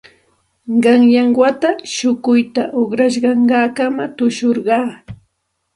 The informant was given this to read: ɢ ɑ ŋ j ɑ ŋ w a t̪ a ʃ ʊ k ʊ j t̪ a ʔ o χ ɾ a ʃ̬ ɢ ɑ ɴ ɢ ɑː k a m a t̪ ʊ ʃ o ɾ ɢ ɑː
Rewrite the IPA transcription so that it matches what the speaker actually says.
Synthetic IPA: ɢ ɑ ŋ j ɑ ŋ w a t̪ a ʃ ʊ k ʊ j t̪ a ʔ o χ ɾ a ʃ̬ ɢ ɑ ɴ ɢ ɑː k a m a t̪ ʊ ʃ o ɾ ɢ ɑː